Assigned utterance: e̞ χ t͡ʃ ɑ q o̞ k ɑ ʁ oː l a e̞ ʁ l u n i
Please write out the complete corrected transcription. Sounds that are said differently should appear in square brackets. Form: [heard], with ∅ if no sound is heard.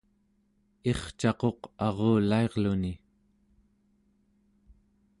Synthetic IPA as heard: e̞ χ t͡ʃ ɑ q o̞ [q] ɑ ʁ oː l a e̞ ʁ l u n i